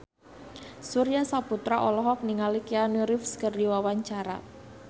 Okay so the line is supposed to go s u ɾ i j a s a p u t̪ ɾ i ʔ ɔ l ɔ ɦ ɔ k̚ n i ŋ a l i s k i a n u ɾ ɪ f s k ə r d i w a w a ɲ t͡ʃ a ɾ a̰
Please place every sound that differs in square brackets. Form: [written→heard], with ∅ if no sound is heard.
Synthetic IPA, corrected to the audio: s u ɾ i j a s a p u t̪ ɾ [i→a] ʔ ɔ l ɔ ɦ ɔ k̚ n i ŋ a l i [s→∅] k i a n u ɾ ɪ f s k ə r d i w a w a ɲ t͡ʃ a ɾ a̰